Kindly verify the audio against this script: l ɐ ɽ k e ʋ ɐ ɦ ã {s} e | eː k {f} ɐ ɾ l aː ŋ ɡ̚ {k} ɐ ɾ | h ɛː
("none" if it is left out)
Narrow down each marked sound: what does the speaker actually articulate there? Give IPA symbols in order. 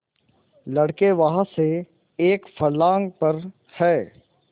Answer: s, f, p

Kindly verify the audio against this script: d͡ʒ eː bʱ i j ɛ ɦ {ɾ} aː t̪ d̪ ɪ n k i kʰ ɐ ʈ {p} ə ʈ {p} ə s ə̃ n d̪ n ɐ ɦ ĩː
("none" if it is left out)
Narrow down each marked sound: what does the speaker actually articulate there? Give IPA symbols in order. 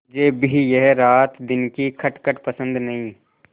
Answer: ɾ, k, p

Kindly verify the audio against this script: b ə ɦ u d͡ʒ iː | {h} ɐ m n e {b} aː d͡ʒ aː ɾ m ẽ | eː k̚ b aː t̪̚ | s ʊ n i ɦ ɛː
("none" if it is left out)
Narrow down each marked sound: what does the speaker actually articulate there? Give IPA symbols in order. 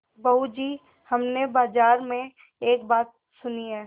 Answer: h, b

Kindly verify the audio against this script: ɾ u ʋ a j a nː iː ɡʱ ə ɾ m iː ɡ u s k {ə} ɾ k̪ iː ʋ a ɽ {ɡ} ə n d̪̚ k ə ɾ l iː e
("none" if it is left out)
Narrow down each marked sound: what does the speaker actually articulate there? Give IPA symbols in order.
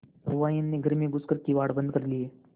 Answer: ə, b

